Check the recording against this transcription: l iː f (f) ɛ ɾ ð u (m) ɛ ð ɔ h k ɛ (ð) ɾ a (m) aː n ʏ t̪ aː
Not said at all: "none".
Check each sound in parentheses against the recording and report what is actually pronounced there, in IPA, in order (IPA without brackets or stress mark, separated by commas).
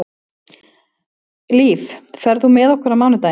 f, m, none, m